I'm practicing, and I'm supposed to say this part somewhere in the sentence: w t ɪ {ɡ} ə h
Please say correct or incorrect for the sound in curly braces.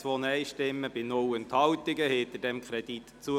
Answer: correct